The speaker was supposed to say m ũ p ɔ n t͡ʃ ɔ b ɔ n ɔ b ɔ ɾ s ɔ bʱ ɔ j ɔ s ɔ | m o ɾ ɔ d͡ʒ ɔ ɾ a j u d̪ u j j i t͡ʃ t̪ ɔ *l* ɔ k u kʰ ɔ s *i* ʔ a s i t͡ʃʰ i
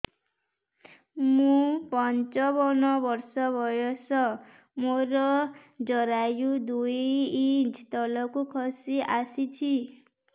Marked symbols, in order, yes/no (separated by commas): yes, yes